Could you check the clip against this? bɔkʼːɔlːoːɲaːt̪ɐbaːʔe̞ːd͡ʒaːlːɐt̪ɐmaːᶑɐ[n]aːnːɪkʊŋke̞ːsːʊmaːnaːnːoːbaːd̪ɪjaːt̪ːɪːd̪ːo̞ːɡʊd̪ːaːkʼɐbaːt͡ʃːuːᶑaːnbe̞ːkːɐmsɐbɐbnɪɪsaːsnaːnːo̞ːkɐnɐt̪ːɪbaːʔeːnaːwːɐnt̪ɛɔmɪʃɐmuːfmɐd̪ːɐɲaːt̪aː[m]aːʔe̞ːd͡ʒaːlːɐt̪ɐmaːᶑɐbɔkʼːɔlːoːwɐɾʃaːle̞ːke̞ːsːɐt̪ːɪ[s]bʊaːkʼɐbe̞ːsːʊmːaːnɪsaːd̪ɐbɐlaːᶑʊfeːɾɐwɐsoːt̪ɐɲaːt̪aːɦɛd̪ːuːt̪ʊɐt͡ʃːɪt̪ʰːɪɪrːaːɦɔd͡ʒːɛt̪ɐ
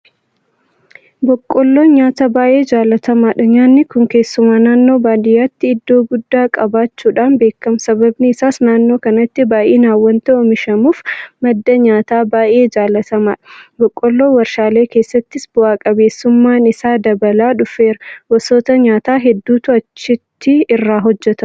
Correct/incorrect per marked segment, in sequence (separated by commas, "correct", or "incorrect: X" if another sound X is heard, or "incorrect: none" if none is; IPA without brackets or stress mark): incorrect: ɲ, incorrect: b, correct